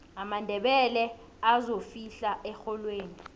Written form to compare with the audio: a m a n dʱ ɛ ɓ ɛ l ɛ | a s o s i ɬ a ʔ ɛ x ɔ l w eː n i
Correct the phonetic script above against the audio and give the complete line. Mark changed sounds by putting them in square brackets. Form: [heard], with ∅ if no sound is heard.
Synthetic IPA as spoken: a m a n dʱ ɛ ɓ ɛ l ɛ | a [z] o [f] i ɬ a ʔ ɛ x ɔ l w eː n i